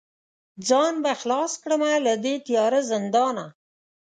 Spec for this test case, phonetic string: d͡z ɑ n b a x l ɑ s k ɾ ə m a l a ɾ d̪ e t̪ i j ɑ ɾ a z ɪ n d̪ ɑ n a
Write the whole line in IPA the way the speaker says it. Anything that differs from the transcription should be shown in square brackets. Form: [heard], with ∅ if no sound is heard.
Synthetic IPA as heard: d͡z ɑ n b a x l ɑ s k [ɽ] ə m a l a [∅] d̪ e t̪ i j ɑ ɾ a z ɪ n d̪ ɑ n a